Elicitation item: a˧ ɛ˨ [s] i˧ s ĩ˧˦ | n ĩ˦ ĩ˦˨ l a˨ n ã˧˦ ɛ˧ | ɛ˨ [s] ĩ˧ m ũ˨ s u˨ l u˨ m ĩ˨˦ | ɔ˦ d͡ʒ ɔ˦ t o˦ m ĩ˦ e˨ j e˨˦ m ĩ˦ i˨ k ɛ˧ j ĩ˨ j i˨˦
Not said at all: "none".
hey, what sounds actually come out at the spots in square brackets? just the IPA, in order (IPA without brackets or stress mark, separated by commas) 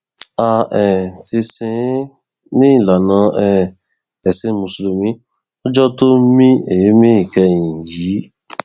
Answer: t, s